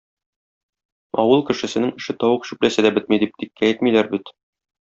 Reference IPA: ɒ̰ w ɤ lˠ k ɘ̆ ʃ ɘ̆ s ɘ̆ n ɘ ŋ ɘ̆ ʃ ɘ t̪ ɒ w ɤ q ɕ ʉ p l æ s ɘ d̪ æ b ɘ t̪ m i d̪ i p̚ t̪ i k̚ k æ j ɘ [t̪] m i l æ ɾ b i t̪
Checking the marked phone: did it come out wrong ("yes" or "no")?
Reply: no